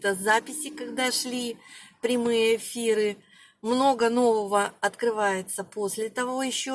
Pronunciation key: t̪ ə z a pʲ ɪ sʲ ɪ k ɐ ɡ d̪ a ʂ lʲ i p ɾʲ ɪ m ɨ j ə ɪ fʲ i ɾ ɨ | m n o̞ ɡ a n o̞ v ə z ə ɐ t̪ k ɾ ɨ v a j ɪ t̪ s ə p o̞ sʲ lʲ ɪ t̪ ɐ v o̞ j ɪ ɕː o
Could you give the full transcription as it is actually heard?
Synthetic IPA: t̪ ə z a pʲ ɪ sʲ ɪ k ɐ ɡ d̪ a ʂ lʲ i p ɾʲ ɪ m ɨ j ə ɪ fʲ i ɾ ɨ | m n o̞ ɡ ə n o̞ v ə v ə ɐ t̪ k ɾ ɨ v a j ɪ t̪ s ə p o̞ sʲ lʲ ɪ t̪ ɐ v o̞ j ɪ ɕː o